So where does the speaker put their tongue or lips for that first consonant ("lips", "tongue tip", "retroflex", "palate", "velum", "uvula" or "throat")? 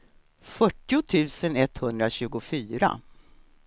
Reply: lips